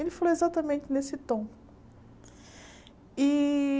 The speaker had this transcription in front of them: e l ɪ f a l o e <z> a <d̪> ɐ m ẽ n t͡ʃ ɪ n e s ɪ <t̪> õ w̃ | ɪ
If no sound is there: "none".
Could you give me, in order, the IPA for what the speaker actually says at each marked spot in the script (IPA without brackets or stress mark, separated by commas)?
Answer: z, t̪, t̪